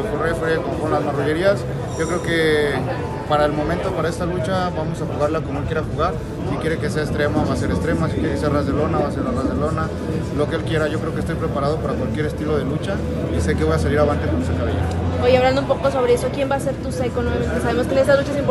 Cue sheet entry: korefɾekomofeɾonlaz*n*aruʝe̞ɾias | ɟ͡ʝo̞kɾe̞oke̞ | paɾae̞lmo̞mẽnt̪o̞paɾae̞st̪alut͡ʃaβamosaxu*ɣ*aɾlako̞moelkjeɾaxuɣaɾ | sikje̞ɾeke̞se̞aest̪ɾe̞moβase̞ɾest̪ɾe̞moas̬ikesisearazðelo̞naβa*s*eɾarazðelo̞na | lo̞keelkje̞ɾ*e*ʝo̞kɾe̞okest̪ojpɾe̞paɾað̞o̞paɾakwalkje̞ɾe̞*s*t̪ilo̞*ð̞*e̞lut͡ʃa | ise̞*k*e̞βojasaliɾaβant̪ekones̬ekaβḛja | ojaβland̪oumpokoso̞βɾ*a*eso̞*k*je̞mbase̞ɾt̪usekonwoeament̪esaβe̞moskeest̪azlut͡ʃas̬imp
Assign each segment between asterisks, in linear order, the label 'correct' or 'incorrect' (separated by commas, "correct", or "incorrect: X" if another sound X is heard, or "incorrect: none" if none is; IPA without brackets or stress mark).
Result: incorrect: m, correct, correct, incorrect: a, correct, correct, correct, incorrect: e, correct